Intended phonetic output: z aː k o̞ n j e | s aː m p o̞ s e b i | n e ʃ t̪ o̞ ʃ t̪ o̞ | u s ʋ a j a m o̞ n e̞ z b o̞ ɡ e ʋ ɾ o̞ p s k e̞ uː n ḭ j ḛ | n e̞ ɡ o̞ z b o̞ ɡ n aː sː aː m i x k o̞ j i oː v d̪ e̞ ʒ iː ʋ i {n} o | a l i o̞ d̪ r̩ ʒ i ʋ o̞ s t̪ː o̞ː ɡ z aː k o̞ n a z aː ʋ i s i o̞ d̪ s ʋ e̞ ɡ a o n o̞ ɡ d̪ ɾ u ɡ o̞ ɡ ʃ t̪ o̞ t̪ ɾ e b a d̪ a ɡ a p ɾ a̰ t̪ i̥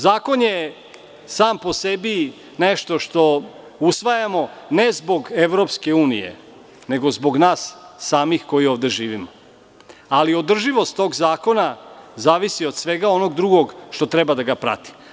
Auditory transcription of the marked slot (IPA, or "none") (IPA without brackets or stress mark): m